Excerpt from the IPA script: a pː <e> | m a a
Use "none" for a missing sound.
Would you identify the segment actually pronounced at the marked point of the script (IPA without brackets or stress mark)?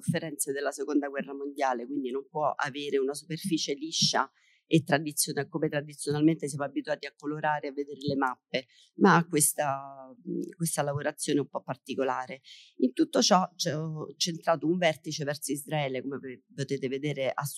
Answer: e